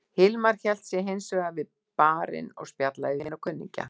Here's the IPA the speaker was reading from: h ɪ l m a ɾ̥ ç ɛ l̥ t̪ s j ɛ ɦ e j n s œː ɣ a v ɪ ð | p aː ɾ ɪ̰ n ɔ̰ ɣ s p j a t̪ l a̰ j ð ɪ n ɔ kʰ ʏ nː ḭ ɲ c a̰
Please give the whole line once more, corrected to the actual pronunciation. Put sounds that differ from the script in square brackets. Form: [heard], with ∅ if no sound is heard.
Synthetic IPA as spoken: h ɪ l m a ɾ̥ ç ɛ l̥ t̪ s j ɛ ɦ e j n s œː ɣ a v ɪ ð | p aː ɾ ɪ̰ n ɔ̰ ɣ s p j a t̪ l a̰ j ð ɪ n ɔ kʰ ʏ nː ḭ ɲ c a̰